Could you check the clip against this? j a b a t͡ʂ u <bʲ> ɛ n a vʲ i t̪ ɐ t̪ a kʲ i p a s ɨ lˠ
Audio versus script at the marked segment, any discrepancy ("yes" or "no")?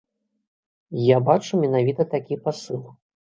yes